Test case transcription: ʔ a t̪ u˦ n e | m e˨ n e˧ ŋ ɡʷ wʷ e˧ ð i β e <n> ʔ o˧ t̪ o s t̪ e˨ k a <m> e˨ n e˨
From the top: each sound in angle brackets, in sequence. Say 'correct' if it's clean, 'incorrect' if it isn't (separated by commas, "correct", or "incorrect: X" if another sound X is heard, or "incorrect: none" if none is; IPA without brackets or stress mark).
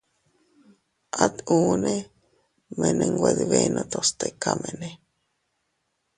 correct, correct